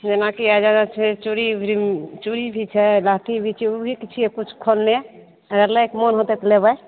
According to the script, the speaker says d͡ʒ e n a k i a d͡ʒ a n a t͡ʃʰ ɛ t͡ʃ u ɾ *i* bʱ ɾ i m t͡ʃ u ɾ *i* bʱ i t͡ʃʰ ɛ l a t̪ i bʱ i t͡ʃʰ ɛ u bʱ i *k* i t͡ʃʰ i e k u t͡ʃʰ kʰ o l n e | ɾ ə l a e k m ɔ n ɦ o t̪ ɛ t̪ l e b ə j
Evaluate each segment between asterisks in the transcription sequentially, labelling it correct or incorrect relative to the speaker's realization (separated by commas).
correct, correct, correct